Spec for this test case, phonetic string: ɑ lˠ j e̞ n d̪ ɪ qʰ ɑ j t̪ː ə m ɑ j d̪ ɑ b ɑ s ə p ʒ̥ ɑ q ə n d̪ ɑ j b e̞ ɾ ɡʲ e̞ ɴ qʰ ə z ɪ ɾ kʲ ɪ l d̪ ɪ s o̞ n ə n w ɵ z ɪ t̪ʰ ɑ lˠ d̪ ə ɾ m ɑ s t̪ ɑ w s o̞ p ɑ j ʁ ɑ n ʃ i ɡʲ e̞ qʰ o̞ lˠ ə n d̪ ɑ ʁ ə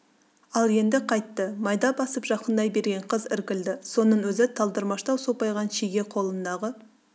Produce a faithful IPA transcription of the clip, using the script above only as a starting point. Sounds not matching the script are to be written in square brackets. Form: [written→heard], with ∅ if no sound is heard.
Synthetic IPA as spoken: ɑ lˠ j e̞ n d̪ ɪ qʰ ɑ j t̪ː ə m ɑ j d̪ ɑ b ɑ s ə p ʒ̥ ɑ q ə n d̪ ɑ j b e̞ ɾ ɡʲ e̞ ɴ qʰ ə z ɪ ɾ kʲ ɪ l d̪ ɪ s o̞ n ə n w ɵ z ɪ t̪ʰ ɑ lˠ d̪ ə ɾ m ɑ [s→ʃ] t̪ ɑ w s o̞ p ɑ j ʁ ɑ n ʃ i ɡʲ e̞ qʰ o̞ lˠ ə n d̪ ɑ ʁ ə